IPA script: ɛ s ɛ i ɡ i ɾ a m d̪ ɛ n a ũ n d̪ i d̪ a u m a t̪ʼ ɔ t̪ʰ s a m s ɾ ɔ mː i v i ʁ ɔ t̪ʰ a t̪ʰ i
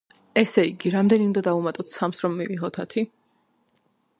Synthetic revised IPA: ɛ s ɛ i ɡ i ɾ a m d̪ ɛ n i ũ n d̪ a d̪ a u m a t̪ʼ ɔ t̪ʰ s a m s ɾ ɔ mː i v i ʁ ɔ t̪ʰ a t̪ʰ i